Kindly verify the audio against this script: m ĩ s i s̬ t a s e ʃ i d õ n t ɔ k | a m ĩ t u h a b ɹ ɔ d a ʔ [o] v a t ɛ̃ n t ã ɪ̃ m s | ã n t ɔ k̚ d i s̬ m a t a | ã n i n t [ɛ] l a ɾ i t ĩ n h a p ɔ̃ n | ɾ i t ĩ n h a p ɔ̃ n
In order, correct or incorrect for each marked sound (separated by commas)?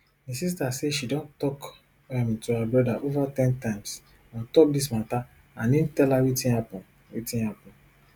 correct, correct